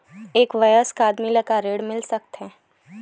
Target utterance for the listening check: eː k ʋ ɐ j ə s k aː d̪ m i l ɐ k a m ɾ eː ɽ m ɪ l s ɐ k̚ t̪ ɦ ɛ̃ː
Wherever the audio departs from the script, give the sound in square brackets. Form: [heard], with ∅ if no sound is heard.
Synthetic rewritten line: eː k ʋ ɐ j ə s k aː d̪ m i l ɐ k a [∅] ɾ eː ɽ m ɪ l s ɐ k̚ t̪ ɦ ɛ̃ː